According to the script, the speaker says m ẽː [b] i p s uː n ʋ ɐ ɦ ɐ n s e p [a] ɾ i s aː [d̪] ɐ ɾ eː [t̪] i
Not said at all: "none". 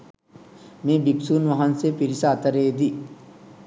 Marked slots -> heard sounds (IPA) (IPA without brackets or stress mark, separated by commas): b, i, t̪, d̪